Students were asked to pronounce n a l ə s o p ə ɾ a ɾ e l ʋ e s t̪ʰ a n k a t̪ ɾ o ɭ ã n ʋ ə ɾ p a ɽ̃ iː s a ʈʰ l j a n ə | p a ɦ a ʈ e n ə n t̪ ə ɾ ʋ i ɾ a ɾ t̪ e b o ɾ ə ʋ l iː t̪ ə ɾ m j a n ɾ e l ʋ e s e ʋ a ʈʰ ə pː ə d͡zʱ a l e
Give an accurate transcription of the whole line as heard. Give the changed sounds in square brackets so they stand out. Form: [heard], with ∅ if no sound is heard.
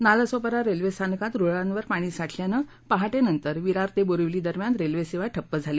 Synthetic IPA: n a l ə s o p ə ɾ a ɾ e l ʋ e s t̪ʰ a n k a t̪ ɾ o ɭ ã n ʋ ə ɾ p a ɽ̃ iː s a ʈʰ l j a n ə | p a ɦ a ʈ e n ə n t̪ ə ɾ ʋ i ɾ a ɾ t̪ e b o ɾ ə ʋ l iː [d̪] ə ɾ m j a n ɾ e l ʋ e s e ʋ a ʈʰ ə pː ə d͡zʱ a l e